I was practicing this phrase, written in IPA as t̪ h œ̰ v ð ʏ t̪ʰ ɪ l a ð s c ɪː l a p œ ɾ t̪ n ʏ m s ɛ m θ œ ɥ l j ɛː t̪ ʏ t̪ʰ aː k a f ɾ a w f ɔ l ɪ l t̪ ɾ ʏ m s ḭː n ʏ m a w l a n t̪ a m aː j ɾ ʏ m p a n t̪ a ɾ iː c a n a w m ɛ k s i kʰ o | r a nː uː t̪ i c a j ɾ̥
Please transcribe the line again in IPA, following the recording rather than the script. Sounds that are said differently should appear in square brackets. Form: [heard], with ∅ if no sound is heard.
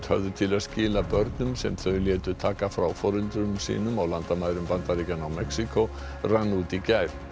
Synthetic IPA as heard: t̪ h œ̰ v ð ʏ t̪ʰ ɪ l a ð s c ɪː l a p œ ɾ t̪ n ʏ m s ɛ m θ œ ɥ l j ɛː t̪ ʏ t̪ʰ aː k a f ɾ a w f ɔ [ɾ] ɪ l t̪ ɾ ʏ m s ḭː n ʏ m a w l a n t̪ a m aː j ɾ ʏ m p a n t̪ a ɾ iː c a n a w m ɛ k s i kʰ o | r a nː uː t̪ i c a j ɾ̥